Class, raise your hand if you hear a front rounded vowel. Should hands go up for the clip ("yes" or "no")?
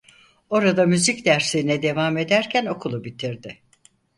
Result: yes